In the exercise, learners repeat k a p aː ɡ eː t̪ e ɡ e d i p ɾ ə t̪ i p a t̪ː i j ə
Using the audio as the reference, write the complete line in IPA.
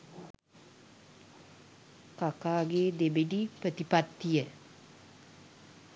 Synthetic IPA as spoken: k a k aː ɡ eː d̪ e b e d i p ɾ ə t̪ i p a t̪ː i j ə